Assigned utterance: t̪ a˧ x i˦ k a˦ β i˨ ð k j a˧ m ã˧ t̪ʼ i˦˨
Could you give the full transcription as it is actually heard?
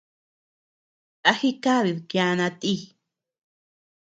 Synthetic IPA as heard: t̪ a˧ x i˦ k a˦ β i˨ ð k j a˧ n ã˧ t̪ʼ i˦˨